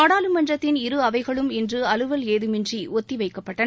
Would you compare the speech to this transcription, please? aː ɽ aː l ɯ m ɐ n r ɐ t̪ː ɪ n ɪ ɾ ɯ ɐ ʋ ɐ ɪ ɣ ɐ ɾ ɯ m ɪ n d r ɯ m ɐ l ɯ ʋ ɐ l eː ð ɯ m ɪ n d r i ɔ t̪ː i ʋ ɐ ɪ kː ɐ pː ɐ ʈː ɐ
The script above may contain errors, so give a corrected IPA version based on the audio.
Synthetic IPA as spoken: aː ɽ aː l ɯ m ɐ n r ɐ t̪ː ɪ n ɪ ɾ ɯ ɐ ʋ ɐ ɪ ɣ ɐ ɭ ɯ m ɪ n d r ɯ ɐ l ɯ ʋ ɐ l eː ð ɯ m ɪ n d r i ɔ t̪ː i ʋ ɐ ɪ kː ɐ pː ɐ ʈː ɐ